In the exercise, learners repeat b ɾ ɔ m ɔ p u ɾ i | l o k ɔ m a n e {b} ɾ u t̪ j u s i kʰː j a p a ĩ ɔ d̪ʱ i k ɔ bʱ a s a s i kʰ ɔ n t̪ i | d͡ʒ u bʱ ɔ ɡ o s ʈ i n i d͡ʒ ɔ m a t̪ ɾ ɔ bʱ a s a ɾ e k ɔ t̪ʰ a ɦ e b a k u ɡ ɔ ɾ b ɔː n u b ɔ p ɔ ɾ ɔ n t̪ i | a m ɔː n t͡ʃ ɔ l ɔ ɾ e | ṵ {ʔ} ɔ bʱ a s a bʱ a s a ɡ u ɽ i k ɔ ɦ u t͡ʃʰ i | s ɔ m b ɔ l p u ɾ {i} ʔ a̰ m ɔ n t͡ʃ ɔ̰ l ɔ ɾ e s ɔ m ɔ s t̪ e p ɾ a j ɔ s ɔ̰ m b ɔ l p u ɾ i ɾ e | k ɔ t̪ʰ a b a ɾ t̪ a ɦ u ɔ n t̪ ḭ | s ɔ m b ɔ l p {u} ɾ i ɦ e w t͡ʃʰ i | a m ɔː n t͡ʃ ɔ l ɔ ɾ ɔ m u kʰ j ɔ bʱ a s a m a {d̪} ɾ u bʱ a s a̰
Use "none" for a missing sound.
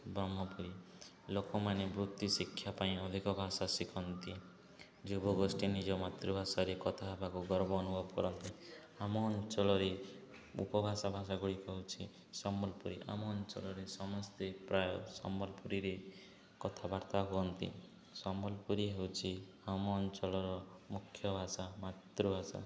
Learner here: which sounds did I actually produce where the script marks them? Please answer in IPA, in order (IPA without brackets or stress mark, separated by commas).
b, p, i, u, t̪